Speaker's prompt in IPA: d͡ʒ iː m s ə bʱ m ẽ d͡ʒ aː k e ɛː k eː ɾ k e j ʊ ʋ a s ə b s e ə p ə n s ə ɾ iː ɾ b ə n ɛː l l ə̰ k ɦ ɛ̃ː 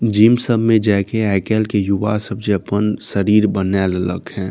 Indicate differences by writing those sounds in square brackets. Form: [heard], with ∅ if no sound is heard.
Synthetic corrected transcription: d͡ʒ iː m s ə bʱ m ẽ d͡ʒ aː k e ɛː k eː [l] k e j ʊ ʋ a s ə b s e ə p ə n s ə ɾ iː ɾ b ə n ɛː l l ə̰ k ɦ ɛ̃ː